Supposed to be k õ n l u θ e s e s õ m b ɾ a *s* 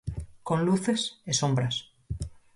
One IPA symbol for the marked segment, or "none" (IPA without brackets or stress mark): s